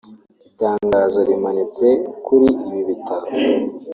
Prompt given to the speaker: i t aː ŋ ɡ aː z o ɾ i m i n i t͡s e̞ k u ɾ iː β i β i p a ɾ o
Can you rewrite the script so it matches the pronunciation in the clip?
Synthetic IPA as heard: i t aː ŋ ɡ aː z o ɾ i m a n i t͡s e̞ k u ɾ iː β i β i t a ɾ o